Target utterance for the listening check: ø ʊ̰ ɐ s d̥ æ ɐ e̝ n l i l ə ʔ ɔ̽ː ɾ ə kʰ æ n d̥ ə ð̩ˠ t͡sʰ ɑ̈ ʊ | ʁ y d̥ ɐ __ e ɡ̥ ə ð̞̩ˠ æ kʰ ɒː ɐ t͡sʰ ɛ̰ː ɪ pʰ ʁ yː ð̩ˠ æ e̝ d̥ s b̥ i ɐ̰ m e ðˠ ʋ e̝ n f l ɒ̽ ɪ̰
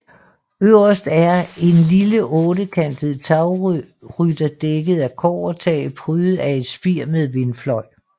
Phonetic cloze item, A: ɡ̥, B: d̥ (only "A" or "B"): B